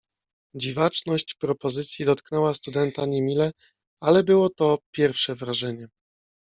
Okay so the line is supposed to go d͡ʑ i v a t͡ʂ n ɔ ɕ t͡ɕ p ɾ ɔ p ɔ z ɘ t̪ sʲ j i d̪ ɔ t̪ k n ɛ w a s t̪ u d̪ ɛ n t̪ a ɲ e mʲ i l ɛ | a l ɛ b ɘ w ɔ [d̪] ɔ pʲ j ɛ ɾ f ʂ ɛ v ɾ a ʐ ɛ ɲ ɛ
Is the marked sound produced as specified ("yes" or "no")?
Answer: no